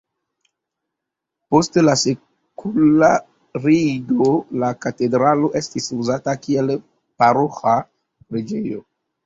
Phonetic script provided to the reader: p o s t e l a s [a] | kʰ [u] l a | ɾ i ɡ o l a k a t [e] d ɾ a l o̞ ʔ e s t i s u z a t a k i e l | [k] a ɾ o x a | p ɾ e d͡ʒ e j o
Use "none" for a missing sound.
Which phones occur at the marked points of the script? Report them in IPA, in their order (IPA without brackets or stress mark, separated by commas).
e, u, e, p